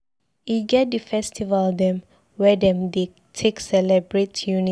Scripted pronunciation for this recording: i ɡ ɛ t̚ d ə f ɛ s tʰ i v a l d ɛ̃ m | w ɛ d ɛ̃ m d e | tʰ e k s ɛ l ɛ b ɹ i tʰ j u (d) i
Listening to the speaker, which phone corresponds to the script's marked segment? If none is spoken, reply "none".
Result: n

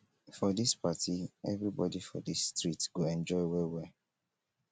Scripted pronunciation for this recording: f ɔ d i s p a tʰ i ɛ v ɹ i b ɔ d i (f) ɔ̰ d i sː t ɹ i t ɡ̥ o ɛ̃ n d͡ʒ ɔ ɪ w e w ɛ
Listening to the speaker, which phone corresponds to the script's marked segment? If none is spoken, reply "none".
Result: f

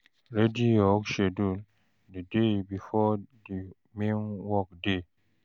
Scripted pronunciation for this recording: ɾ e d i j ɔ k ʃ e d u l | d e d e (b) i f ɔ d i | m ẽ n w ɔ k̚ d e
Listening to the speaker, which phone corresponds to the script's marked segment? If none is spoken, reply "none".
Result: b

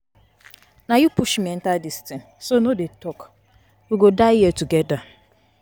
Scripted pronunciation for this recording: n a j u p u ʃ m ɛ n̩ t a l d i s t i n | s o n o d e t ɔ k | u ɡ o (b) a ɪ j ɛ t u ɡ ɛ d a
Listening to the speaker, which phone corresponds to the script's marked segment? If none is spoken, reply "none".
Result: d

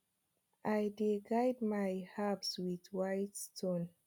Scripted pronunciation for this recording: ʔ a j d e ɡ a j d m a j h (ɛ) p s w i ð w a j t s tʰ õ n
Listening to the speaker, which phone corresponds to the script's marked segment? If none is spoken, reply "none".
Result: a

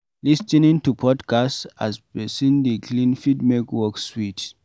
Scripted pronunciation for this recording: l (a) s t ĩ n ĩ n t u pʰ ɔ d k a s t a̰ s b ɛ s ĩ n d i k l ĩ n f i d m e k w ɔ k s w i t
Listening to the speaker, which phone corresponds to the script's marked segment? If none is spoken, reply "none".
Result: i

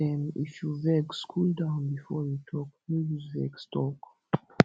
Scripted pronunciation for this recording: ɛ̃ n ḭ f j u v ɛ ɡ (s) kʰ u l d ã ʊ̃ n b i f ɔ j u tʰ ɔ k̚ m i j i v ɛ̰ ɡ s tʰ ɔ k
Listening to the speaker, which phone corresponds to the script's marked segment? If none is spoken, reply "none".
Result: s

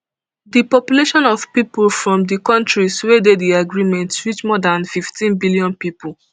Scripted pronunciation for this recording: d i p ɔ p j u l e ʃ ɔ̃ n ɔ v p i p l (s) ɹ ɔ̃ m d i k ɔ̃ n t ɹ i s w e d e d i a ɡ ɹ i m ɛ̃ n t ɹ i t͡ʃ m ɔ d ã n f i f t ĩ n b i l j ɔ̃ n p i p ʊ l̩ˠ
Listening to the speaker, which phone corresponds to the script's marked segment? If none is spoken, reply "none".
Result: f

